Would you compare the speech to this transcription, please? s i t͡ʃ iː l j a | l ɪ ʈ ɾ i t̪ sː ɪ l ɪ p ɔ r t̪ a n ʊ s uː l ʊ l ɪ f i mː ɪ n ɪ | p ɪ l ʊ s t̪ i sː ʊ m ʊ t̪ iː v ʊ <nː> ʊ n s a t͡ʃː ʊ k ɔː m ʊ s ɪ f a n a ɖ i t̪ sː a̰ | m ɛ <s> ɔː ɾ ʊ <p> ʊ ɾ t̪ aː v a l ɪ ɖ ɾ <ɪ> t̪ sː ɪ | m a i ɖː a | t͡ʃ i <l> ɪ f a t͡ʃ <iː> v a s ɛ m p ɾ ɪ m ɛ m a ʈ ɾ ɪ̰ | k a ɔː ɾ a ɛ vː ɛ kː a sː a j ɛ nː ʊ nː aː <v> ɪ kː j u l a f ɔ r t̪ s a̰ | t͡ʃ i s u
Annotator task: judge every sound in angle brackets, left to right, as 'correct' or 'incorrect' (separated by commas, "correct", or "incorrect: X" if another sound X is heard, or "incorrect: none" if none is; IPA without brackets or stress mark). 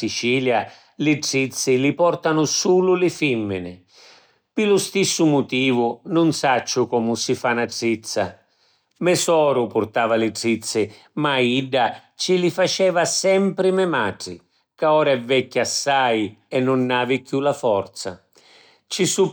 incorrect: n, correct, correct, incorrect: i, correct, incorrect: ɛː, correct